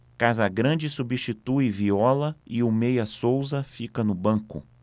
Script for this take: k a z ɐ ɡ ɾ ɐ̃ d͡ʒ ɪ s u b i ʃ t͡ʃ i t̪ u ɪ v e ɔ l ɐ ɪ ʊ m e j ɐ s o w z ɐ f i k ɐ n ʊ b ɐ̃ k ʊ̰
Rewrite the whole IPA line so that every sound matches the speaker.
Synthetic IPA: k a z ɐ ɡ ɾ ɐ̃ d͡ʒ ɪ s u b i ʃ t͡ʃ i t̪ u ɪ v i ɔ l ɐ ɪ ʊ m e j ɐ s o w z ɐ f i k ɐ n ʊ b ɐ̃ k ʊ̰